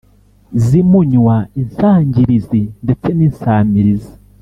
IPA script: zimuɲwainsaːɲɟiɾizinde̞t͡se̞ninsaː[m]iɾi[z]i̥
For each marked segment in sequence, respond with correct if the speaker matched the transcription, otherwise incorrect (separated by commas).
correct, correct